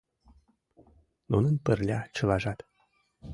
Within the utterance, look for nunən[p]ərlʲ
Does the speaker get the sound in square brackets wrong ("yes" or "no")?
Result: no